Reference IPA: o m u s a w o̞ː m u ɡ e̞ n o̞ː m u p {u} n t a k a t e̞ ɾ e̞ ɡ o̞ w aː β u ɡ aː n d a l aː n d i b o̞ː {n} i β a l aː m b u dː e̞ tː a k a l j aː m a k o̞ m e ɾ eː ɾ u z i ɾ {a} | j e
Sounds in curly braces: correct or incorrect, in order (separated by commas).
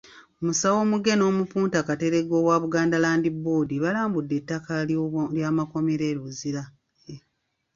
incorrect, incorrect, correct